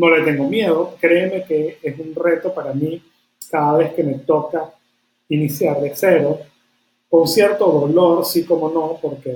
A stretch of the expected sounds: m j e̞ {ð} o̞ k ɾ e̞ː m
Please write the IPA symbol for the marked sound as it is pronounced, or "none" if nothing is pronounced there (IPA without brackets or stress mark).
ð